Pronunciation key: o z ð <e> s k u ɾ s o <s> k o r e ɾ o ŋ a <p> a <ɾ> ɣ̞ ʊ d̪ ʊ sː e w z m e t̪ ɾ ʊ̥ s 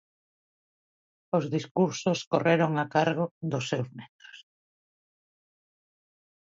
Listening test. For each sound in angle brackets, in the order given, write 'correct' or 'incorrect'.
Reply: incorrect: i, correct, incorrect: k, correct

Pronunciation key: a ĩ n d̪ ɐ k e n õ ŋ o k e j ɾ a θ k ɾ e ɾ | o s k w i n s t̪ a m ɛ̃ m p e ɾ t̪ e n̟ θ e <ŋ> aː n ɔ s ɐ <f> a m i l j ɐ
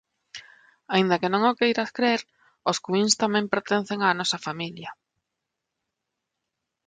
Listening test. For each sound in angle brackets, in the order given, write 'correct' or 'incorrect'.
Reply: correct, correct

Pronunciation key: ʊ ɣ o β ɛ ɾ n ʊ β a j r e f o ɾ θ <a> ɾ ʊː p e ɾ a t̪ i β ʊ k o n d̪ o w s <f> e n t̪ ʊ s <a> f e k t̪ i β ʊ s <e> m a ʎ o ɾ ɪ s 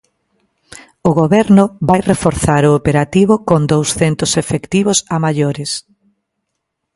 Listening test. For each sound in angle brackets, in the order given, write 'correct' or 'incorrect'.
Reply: correct, incorrect: θ, incorrect: e, incorrect: a

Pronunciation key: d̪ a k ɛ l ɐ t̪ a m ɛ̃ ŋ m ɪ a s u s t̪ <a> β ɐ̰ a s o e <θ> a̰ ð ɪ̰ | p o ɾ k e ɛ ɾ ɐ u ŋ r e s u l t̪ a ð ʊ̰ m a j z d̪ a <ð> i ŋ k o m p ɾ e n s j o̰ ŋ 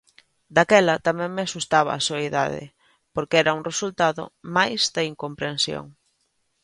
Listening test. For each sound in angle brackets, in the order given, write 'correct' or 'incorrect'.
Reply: correct, incorrect: ð, incorrect: none

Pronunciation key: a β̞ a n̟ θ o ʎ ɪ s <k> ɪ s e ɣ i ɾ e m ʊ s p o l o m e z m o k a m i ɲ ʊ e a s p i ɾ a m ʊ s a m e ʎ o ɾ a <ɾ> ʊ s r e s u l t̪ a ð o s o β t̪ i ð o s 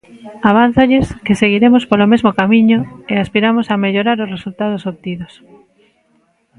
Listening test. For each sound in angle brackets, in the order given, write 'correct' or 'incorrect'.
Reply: correct, correct

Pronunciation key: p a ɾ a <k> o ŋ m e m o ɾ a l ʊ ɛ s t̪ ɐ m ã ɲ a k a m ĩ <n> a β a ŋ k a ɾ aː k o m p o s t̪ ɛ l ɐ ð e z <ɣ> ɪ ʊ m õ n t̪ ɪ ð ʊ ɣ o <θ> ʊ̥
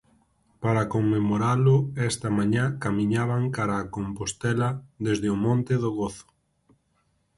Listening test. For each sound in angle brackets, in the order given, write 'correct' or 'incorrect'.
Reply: correct, incorrect: ɲ, incorrect: ð, correct

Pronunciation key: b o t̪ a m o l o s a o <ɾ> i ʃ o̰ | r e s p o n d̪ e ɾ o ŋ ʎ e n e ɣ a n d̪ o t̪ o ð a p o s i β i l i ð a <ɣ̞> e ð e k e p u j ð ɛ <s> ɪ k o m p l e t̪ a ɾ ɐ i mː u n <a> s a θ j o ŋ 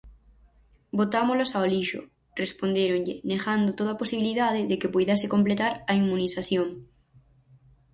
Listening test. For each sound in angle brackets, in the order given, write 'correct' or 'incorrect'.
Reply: incorrect: l, incorrect: ð̞, correct, incorrect: i

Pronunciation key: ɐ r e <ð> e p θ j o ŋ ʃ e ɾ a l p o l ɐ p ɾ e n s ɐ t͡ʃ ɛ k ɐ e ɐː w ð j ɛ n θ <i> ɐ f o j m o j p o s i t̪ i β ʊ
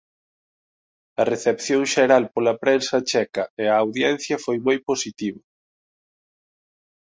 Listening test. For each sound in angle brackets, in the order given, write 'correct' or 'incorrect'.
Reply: incorrect: θ, incorrect: j

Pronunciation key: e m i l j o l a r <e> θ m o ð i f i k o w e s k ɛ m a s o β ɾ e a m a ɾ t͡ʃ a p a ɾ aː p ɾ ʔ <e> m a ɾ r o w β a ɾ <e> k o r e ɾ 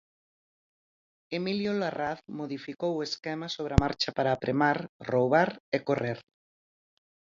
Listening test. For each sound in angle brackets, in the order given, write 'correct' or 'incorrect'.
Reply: incorrect: a, correct, correct

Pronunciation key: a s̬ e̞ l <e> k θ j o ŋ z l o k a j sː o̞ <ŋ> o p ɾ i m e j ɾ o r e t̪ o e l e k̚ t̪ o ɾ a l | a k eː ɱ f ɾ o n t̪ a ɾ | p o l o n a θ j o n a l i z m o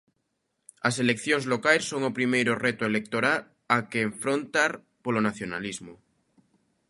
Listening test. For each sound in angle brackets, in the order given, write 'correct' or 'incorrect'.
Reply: correct, correct

